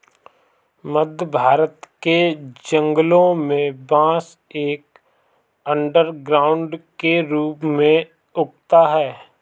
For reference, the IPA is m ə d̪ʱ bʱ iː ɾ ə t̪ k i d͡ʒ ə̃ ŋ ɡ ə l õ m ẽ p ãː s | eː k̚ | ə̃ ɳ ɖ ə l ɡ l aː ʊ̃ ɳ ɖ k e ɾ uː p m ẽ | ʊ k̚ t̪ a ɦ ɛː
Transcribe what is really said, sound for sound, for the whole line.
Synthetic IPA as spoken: m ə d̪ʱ bʱ aː ɾ ə t̪ k e d͡ʒ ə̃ ŋ ɡ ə l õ m ẽ b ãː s | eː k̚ | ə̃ ɳ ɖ ə ɾ ɡ ɾ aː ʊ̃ ɳ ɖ k e ɾ uː p m ẽ | ʊ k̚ t̪ a ɦ ɛː